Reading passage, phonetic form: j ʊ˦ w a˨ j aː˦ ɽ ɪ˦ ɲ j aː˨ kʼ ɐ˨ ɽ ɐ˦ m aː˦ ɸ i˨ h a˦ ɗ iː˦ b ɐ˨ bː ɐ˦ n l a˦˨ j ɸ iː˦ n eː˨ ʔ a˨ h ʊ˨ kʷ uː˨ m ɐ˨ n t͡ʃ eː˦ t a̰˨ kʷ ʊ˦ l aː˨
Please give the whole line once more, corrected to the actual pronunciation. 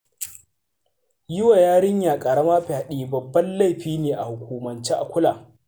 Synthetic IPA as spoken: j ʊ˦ w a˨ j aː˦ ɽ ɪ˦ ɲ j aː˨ kʼ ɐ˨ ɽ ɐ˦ m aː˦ ɸ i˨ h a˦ ɗ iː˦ b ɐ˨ bː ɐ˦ n l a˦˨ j ɸ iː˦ n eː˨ ʔ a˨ h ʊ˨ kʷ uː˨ m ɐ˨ n t͡ʃ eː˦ ʔ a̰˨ kʷ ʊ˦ l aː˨

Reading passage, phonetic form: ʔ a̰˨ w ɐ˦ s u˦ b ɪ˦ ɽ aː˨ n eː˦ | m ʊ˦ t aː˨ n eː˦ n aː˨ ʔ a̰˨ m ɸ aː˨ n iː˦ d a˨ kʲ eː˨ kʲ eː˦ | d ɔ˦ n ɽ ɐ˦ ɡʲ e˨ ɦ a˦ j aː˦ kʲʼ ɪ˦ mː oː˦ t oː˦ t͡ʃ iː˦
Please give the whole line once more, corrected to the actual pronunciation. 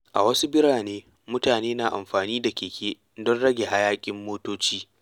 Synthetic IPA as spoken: ʔ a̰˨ w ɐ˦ s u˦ b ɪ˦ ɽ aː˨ n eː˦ | m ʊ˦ t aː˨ n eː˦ n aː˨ ʔ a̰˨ m ɸ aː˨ n iː˦ d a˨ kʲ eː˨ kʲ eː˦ | d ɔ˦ n ɽ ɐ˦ ɡʲ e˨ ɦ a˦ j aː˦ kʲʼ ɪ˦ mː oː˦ t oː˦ t͡ʃ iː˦

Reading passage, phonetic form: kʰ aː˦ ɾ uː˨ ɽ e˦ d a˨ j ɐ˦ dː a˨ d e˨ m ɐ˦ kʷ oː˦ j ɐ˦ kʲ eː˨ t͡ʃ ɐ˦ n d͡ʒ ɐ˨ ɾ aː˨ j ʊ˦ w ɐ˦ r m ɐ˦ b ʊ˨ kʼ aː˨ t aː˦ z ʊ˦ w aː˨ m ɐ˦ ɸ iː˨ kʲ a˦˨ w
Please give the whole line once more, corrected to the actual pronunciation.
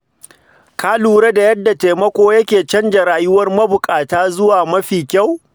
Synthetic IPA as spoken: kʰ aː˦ l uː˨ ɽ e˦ d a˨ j ɐ˦ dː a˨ t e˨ m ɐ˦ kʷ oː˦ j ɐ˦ kʲ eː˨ t͡ʃ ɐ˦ n d͡ʒ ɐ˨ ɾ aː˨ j ʊ˦ w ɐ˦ r m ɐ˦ b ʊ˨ kʼ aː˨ t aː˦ z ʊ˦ w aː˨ m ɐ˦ ɸ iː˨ kʲ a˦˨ w

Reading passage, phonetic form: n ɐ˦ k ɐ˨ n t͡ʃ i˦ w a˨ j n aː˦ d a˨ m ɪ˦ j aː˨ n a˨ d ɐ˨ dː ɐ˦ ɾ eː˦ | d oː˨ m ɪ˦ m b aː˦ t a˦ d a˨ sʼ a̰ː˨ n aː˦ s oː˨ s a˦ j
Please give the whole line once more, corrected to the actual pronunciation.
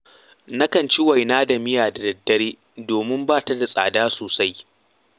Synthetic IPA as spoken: n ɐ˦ k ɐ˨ n t͡ʃ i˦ w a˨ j n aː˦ d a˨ m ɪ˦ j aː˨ d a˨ d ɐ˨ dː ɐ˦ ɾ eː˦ | d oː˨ m ɪ˦ m b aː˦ t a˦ d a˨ sʼ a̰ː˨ d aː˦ s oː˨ s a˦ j

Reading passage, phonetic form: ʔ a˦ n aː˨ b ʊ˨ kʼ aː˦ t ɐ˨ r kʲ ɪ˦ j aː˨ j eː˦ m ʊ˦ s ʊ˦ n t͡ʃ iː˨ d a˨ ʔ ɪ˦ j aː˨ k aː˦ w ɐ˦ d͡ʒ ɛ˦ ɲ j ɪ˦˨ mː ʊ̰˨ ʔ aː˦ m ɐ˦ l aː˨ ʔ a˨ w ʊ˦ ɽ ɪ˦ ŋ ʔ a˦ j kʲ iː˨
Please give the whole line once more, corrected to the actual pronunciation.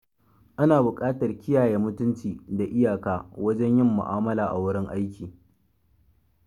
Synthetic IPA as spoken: ʔ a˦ n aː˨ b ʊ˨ kʼ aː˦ t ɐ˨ r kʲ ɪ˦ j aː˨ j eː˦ m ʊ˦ t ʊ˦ n t͡ʃ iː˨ d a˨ ʔ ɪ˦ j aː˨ k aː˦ w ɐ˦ d͡ʒ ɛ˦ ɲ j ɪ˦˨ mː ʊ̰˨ ʔ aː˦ m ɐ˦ l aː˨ ʔ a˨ w ʊ˦ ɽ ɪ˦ ŋ ʔ a˦ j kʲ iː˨

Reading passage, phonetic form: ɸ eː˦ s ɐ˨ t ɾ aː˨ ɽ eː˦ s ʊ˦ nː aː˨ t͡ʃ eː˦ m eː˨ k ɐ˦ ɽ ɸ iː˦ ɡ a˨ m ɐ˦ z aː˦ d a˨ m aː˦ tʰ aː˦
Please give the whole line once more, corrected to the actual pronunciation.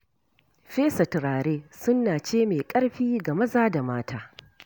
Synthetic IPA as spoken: ɸ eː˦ s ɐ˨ t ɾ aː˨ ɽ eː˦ s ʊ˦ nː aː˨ t͡ʃ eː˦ m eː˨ kʼ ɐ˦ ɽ ɸ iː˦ ɡ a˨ m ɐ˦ z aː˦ d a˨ m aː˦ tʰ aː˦

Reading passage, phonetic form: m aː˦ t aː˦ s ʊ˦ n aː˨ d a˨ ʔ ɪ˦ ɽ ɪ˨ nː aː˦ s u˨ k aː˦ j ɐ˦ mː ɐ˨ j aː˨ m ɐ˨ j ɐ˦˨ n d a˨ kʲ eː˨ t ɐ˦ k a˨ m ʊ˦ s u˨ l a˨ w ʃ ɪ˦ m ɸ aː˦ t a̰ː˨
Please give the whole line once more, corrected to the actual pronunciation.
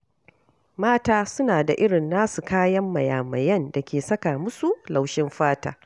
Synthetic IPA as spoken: m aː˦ t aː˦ s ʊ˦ n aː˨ d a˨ ʔ ɪ˦ ɽ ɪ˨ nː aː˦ s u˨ k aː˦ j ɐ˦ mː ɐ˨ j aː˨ m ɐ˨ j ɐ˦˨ n d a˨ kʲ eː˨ s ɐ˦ k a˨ m ʊ˦ s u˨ l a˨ w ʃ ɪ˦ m ɸ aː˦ t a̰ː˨

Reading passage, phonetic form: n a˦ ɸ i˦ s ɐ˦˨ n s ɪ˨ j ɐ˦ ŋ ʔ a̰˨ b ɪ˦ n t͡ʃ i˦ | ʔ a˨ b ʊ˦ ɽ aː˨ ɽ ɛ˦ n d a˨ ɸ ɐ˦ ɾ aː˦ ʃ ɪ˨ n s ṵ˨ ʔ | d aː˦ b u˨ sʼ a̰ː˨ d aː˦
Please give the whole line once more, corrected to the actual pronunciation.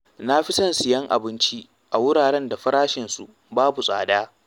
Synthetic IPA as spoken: n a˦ ɸ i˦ s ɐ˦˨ n s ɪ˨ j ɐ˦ ŋ ʔ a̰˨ b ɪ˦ n t͡ʃ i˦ | ʔ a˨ w ʊ˦ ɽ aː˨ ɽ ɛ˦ n d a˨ ɸ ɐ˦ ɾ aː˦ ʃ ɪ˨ n s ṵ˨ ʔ | b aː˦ b u˨ sʼ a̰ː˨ d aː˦

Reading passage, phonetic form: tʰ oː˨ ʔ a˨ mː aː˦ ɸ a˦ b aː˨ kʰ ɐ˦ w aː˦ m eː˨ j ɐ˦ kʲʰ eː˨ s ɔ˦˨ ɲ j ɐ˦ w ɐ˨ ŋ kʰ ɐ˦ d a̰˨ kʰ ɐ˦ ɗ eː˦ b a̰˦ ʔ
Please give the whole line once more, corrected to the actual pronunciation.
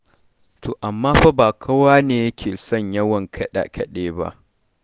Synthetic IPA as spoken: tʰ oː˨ ʔ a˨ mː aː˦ ɸ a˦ b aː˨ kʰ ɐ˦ w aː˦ n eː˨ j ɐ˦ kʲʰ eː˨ s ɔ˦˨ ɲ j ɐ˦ w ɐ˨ ŋ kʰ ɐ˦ ɗ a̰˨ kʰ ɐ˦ ɗ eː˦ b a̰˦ ʔ

